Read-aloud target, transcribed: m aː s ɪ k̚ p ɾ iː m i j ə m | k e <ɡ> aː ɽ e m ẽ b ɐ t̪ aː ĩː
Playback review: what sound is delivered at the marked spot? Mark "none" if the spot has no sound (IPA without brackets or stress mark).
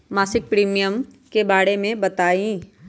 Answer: b